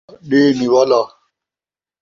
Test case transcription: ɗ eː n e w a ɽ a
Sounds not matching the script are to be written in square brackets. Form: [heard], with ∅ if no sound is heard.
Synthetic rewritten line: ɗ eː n [i] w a [l] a

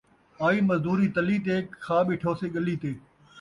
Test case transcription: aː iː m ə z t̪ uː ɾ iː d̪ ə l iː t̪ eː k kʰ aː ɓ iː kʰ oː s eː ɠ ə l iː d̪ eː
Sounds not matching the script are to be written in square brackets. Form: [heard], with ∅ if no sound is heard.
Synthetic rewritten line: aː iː m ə z [d̪] uː ɾ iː [t̪] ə l iː t̪ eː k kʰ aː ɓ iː [ʈʰ] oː s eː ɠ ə l iː [t̪] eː

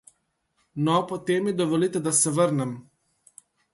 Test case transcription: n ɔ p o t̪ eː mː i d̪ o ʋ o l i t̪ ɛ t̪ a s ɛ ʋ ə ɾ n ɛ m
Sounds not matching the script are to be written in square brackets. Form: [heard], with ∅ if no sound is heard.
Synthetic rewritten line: n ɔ p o t̪ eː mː i d̪ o ʋ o l i t̪ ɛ [d̪] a s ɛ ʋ ə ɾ n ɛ m

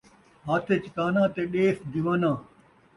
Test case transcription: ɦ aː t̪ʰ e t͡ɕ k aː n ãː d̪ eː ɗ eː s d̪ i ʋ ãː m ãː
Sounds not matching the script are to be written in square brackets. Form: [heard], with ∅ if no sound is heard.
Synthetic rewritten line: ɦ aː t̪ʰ e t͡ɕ k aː n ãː [t̪] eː ɗ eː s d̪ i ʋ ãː [n] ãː

